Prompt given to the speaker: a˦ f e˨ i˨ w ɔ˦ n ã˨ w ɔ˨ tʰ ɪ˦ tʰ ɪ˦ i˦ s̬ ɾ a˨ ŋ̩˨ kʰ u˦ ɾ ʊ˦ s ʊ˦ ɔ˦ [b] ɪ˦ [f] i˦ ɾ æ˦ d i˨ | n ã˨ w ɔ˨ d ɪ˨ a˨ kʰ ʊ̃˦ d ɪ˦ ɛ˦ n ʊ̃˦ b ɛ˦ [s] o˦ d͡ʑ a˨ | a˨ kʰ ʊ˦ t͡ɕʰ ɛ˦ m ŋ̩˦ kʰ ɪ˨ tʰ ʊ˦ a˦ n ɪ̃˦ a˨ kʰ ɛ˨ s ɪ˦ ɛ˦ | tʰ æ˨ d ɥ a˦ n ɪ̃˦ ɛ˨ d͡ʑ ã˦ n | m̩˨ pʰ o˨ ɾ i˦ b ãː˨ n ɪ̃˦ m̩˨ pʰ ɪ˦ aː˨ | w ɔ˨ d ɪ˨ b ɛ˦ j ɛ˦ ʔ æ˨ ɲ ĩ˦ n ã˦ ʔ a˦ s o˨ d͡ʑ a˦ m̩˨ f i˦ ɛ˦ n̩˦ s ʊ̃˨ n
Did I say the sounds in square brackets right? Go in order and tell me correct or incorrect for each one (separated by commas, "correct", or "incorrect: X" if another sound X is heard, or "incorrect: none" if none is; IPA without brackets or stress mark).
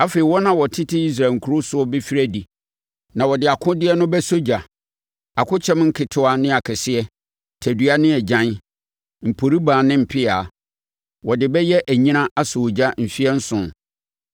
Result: correct, correct, correct